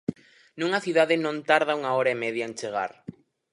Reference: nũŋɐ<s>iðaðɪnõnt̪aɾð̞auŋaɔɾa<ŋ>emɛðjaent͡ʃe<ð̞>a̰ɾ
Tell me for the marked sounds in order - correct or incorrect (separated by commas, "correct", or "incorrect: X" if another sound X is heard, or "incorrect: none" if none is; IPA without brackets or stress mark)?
incorrect: θ, incorrect: none, incorrect: ɣ̞